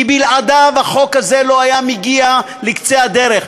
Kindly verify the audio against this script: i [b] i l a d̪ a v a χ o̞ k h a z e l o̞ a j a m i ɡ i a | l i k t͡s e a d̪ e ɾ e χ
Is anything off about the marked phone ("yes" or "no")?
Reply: no